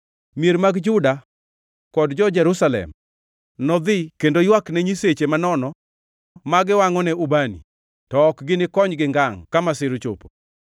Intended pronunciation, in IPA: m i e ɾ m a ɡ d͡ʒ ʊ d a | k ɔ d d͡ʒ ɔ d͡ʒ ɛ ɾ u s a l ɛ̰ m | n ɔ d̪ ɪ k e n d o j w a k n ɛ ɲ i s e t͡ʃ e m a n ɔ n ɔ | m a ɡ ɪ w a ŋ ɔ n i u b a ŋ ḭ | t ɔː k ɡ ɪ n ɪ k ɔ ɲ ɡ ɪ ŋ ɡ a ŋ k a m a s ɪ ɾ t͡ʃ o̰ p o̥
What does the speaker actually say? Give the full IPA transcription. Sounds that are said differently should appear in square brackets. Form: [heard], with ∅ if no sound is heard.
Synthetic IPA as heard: m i e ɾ m a ɡ d͡ʒ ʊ d a | k ɔ d d͡ʒ ɔ d͡ʒ ɛ ɾ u s a l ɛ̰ m | n ɔ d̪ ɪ k e n d o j w a k n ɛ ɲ i s e t͡ʃ e m a n ɔ n ɔ | m a ɡ ɪ w a ŋ ɔ n [ɛ] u b a [n] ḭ | t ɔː k ɡ ɪ n ɪ k ɔ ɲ ɡ ɪ ŋ ɡ a ŋ k a m a s ɪ ɾ t͡ʃ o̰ p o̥